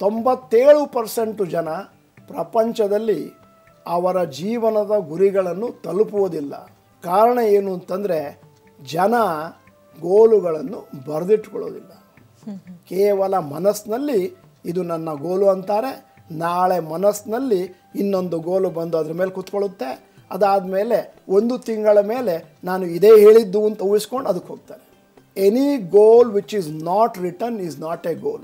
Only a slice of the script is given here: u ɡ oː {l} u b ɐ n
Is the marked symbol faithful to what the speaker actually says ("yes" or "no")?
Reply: yes